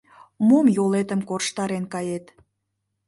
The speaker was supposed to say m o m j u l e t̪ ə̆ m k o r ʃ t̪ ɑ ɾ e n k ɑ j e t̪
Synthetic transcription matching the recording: m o m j o l e t̪ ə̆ m k o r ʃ t̪ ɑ ɾ e n k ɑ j e t̪